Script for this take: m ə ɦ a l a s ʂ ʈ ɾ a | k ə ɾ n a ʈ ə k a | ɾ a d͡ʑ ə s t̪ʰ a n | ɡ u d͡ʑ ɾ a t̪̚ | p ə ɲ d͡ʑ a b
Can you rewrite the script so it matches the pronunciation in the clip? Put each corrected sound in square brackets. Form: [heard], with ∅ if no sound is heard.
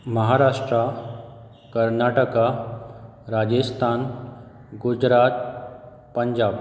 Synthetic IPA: m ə ɦ a [ɾ] a [∅] ʂ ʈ ɾ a | k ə ɾ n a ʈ ə k a | ɾ a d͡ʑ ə s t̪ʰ a n | ɡ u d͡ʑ ɾ a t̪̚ | p ə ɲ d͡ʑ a b